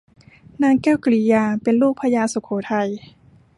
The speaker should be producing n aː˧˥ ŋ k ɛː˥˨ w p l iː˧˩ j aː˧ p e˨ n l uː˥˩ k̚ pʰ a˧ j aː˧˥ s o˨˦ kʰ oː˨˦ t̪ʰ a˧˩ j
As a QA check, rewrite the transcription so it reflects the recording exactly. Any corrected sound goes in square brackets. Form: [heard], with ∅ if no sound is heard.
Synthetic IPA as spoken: n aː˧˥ ŋ k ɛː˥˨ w [k] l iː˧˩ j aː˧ p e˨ n l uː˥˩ k̚ pʰ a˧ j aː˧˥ s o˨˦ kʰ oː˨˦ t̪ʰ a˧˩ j